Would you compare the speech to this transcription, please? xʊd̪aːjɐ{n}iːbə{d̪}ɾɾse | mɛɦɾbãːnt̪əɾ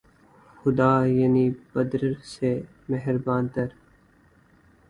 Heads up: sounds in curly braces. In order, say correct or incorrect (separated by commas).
correct, correct